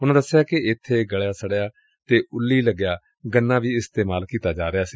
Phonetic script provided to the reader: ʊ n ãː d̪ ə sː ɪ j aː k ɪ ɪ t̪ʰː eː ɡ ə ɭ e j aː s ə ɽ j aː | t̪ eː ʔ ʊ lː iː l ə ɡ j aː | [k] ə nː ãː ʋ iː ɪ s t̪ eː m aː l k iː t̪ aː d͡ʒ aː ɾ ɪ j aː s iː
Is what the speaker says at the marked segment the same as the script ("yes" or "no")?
no